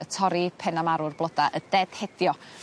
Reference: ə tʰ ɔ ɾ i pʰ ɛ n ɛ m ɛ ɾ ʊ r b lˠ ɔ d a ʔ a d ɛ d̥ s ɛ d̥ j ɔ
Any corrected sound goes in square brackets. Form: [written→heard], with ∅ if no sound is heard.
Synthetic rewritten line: ə tʰ ɔ ɾ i pʰ ɛ n [ɛ→a] m [ɛ→a] ɾ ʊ r b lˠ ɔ d a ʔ [a→ə] d ɛ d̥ [s→h] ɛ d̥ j ɔ